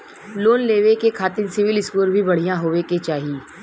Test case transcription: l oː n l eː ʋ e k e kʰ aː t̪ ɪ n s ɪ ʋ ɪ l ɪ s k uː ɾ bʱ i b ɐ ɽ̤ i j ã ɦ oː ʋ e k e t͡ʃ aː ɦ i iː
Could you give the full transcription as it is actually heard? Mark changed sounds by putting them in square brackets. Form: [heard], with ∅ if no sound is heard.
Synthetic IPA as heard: l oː n l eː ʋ e k e kʰ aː t̪ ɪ n s ɪ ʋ ɪ l ɪ s k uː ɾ bʱ i b ɐ ɽ̤ i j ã ɦ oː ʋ e k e t͡ʃ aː ɦ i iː